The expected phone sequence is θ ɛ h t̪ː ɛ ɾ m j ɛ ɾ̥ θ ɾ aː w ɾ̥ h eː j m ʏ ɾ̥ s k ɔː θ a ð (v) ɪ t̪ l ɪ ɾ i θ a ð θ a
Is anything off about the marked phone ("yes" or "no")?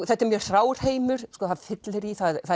yes